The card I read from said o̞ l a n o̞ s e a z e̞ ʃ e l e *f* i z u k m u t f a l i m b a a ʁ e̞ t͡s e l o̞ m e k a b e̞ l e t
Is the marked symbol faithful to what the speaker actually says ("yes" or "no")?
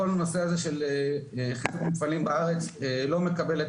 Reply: no